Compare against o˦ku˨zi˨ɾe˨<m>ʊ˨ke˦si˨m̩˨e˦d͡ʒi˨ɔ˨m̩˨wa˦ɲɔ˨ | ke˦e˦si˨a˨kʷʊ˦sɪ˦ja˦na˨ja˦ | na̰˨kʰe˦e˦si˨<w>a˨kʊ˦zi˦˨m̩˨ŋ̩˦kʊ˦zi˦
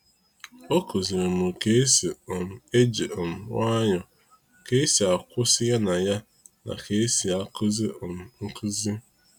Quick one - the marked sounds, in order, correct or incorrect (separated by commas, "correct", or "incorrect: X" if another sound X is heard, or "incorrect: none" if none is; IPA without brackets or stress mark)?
correct, incorrect: none